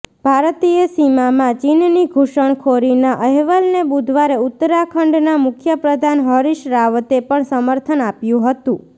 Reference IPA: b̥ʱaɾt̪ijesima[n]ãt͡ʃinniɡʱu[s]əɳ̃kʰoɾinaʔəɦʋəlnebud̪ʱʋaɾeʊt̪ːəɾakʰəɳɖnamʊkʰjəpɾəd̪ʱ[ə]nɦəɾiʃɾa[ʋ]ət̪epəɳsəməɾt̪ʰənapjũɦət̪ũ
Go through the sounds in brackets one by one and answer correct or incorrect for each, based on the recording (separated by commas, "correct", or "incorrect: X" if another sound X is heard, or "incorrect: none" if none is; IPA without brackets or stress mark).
incorrect: m, incorrect: ʃ, incorrect: a, correct